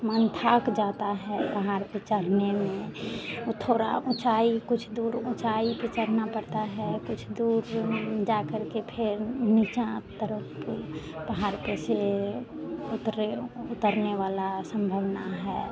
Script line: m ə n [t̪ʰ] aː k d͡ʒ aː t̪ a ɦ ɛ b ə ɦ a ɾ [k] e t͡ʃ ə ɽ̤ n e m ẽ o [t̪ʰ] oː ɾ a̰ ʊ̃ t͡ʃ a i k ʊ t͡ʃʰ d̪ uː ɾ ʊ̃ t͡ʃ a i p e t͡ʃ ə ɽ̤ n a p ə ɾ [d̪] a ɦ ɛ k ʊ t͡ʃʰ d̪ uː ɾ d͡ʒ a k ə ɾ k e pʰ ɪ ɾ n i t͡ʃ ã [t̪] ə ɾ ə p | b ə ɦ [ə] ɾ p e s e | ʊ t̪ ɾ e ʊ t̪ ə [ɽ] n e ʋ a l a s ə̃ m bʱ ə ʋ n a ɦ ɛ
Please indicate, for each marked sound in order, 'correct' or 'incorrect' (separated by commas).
correct, incorrect, correct, incorrect, correct, incorrect, incorrect